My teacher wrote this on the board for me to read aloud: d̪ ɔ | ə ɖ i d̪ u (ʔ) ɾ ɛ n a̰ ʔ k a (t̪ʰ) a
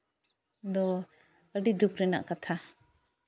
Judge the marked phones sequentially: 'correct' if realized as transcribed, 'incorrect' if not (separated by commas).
incorrect, correct